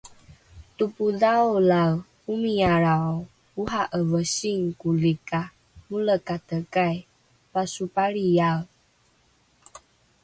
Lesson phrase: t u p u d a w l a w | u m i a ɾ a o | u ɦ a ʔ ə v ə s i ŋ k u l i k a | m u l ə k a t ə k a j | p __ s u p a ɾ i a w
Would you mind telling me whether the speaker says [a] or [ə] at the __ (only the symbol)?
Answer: a